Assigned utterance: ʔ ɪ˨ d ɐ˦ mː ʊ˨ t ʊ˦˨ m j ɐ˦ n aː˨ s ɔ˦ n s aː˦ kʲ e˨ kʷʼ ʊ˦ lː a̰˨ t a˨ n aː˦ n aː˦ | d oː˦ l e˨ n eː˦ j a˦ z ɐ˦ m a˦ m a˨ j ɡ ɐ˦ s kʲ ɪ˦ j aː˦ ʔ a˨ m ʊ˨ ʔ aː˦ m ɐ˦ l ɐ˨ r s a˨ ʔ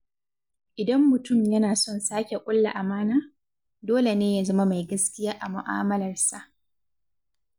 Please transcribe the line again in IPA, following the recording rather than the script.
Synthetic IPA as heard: ʔ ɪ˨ d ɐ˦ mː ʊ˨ t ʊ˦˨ m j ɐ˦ n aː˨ s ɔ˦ n s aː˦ kʲ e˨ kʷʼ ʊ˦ lː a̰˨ ʔ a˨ m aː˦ n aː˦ | d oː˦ l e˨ n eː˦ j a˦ z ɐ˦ m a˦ m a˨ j ɡ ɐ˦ s kʲ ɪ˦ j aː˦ ʔ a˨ m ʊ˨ ʔ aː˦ m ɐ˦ l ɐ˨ r s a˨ ʔ